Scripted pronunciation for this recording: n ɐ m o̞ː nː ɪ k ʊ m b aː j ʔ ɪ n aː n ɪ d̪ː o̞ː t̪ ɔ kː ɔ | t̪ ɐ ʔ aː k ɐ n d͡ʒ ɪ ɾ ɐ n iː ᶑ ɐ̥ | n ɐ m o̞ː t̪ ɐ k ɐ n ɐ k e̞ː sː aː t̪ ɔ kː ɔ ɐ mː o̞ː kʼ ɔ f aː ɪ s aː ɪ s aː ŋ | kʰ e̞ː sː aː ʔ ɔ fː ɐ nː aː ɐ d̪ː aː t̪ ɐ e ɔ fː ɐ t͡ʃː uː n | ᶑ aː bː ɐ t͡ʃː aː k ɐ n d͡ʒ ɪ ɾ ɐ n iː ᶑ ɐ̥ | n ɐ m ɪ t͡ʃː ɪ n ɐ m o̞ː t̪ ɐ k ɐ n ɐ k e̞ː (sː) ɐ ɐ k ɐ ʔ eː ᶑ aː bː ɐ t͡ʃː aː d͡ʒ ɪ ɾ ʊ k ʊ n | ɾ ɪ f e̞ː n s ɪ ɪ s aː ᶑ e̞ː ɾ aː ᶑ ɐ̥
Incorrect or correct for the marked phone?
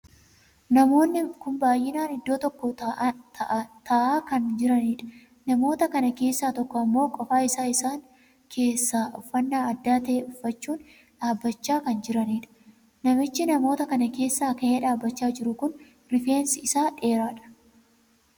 correct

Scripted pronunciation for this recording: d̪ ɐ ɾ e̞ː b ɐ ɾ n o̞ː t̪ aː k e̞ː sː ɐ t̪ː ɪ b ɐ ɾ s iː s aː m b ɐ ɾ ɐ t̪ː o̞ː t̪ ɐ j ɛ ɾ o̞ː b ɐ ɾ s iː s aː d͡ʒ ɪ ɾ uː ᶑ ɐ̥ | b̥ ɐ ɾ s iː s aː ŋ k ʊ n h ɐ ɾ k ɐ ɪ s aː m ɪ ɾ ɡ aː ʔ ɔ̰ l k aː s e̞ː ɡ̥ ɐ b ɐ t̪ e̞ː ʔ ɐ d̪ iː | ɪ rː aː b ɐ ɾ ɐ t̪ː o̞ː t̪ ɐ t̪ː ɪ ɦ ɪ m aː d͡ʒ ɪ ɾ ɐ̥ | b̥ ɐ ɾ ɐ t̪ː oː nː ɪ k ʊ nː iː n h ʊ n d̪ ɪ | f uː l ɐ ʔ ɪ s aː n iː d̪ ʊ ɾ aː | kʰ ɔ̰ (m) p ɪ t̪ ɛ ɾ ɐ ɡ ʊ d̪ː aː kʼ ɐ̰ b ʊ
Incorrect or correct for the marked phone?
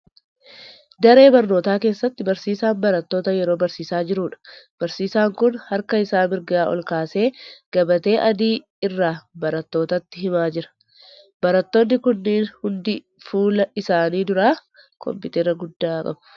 correct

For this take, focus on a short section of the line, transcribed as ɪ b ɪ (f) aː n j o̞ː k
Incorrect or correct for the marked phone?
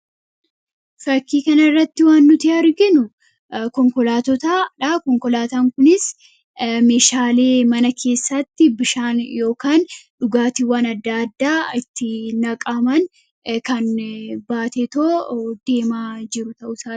incorrect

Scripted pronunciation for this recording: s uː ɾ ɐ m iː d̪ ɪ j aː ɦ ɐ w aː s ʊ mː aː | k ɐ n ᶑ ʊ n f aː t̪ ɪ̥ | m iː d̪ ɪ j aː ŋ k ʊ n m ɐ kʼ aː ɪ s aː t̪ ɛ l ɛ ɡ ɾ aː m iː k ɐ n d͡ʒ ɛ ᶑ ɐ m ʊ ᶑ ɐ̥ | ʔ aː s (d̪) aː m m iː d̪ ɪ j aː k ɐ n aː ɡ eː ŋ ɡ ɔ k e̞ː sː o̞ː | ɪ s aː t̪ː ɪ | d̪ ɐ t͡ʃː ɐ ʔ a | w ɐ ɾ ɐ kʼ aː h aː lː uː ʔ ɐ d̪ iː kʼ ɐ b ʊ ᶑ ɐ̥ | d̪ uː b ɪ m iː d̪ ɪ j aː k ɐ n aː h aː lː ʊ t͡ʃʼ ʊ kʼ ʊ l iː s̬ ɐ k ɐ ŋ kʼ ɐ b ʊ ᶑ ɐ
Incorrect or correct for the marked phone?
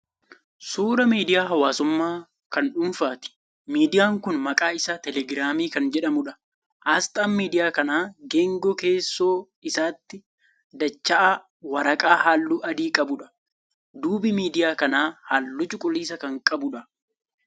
incorrect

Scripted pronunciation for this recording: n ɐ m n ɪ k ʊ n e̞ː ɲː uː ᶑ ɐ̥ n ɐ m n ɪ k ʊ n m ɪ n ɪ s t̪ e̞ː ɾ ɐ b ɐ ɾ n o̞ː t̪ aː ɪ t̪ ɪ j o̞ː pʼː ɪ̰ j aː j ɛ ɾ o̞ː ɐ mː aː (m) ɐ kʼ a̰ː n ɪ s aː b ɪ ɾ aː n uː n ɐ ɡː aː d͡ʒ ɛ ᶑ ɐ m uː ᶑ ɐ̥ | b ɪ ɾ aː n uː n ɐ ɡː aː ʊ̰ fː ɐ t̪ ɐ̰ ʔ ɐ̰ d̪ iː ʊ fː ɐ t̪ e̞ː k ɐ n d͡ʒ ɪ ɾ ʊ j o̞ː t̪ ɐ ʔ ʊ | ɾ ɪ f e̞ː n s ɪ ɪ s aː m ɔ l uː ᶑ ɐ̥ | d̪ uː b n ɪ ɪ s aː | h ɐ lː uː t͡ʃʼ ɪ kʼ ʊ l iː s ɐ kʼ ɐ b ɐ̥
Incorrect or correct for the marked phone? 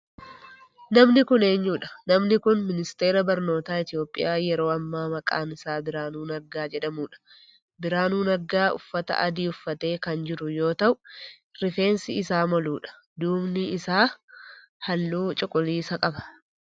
correct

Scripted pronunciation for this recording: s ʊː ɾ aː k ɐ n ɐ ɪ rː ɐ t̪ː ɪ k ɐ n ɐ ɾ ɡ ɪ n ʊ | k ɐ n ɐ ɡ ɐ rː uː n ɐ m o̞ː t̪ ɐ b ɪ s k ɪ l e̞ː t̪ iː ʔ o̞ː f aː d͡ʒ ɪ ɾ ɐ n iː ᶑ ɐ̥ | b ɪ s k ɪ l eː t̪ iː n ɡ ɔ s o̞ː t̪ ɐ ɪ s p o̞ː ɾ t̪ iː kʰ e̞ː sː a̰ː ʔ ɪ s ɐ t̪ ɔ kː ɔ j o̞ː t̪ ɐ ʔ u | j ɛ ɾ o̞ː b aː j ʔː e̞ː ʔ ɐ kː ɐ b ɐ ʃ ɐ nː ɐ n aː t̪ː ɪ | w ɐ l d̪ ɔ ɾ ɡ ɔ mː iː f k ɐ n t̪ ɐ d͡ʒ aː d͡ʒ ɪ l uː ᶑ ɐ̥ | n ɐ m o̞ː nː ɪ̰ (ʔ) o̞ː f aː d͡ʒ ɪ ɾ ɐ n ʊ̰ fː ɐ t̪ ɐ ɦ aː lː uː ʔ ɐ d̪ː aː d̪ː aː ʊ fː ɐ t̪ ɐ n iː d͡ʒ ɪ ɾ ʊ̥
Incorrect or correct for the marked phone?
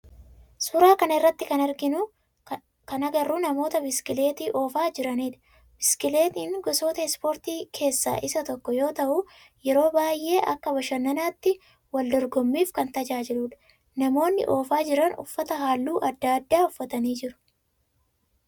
correct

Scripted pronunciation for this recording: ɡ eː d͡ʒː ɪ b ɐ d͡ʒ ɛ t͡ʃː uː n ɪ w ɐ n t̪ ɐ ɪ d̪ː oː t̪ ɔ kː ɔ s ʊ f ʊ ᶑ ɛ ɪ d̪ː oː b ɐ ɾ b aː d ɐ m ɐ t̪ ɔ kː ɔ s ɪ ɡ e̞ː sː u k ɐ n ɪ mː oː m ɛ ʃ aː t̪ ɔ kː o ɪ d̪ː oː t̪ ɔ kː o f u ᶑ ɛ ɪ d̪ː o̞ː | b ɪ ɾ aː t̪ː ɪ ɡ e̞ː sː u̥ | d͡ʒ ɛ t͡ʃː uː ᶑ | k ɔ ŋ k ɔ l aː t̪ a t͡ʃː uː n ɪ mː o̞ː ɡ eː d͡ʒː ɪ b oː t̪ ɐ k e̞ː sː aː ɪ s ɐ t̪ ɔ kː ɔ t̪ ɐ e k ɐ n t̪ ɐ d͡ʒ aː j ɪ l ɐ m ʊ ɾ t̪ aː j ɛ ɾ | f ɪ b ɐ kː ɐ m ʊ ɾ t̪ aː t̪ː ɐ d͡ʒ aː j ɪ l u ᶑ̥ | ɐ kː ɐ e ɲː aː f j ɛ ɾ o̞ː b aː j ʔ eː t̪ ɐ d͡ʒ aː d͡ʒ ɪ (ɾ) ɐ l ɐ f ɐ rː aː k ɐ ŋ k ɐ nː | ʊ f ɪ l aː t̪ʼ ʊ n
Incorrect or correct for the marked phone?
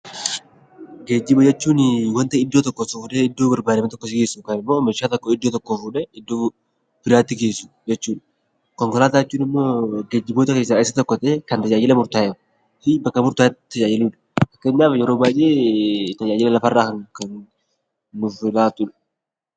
incorrect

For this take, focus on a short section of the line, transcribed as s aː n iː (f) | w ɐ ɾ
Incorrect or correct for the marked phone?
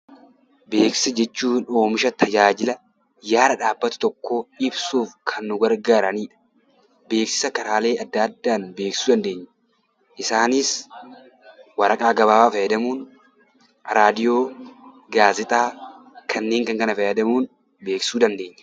incorrect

